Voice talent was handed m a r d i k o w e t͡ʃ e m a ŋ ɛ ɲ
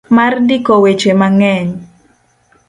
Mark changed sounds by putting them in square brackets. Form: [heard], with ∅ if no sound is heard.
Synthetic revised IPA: m a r d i k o w e t͡ʃ e m a ŋ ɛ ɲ